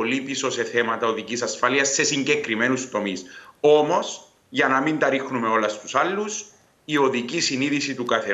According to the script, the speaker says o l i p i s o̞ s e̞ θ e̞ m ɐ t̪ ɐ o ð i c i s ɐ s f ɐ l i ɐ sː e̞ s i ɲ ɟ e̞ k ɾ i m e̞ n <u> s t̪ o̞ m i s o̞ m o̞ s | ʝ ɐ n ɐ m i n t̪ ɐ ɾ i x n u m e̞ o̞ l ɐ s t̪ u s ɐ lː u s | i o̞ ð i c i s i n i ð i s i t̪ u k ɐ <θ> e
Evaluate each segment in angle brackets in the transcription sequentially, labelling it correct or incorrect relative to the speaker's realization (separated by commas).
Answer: correct, correct